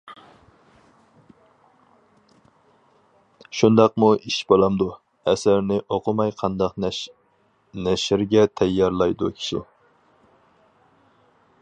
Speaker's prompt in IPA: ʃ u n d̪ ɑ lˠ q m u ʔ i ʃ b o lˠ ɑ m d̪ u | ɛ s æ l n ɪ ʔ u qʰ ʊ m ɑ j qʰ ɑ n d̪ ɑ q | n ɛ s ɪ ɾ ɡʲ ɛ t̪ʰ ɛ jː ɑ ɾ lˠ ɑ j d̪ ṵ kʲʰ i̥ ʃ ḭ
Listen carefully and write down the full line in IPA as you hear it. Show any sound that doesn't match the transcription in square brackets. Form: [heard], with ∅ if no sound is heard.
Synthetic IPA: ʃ u n d̪ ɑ [∅] q m u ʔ i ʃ b o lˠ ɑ m d̪ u | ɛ s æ [ɾ] n ɪ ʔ [o] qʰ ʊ m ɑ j qʰ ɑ n d̪ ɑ q | n ɛ [ʃ] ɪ ɾ ɡʲ ɛ t̪ʰ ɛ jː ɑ ɾ lˠ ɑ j d̪ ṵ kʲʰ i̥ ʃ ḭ